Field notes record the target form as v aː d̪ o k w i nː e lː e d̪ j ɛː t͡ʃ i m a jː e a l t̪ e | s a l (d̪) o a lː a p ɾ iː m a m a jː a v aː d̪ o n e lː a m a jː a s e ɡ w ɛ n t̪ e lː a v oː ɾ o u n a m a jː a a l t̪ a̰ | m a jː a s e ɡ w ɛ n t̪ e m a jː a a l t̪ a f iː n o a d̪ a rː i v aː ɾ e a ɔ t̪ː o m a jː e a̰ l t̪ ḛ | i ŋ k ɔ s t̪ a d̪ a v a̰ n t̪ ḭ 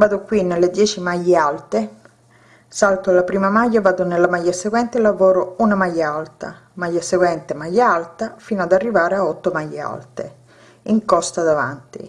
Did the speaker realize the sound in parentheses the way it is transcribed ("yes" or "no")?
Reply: no